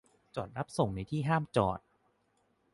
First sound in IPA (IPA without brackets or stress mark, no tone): t͡ɕ